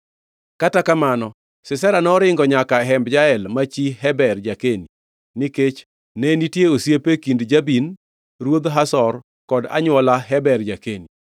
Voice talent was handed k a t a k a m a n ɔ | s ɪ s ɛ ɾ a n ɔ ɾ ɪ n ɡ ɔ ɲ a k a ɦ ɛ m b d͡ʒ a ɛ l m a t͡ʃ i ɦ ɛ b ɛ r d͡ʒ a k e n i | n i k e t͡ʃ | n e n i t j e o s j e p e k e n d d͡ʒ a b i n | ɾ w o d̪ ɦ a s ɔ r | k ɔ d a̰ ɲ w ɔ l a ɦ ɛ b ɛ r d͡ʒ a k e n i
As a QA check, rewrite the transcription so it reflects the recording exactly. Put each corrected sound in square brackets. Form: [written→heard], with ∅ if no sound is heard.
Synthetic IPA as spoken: k a t a k a m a n ɔ | s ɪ s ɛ ɾ a n ɔ ɾ ɪ [n→ŋ] ɡ ɔ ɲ a k a ɦ ɛ m b d͡ʒ a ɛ l m a t͡ʃ i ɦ ɛ b ɛ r d͡ʒ a k e n i | n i k e t͡ʃ | n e n i t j e o s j e p e k [e→i] n d d͡ʒ a b i n | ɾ w o d̪ ɦ a s ɔ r | k ɔ d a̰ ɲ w ɔ l a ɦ ɛ b ɛ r d͡ʒ a k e n i